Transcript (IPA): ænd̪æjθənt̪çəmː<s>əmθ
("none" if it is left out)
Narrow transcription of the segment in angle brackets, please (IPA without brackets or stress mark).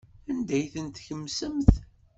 s